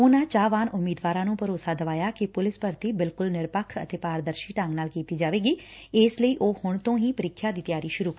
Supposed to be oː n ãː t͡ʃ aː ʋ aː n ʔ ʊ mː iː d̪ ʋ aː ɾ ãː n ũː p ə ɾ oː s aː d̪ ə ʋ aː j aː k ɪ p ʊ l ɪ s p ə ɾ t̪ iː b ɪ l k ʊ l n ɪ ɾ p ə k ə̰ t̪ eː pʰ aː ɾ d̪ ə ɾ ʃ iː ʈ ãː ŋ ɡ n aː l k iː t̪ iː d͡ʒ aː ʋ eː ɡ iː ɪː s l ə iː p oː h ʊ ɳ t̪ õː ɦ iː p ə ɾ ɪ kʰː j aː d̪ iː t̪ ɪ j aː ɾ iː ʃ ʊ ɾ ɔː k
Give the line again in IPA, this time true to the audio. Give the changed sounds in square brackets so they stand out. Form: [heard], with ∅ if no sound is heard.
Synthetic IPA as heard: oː n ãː t͡ʃ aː ʋ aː n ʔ ʊ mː iː d̪ ʋ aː ɾ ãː n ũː p ə ɾ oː s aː d̪ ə ʋ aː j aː k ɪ p ʊ l ɪ s p ə ɾ t̪ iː b ɪ l k ʊ l n ɪ ɾ p ə [kʰ] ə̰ t̪ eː [p] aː ɾ d̪ ə ɾ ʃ iː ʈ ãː ŋ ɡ n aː l k iː t̪ iː d͡ʒ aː ʋ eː ɡ iː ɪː s l ə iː [ʔ] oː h ʊ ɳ t̪ õː ɦ iː p ə ɾ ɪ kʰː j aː d̪ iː t̪ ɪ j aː ɾ iː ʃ ʊ ɾ [uː] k